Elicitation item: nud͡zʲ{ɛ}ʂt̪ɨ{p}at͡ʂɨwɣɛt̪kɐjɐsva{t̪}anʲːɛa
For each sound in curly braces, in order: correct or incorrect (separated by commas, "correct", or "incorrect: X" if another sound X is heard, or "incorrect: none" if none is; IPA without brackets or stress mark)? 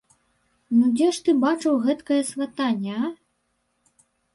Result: correct, incorrect: b, correct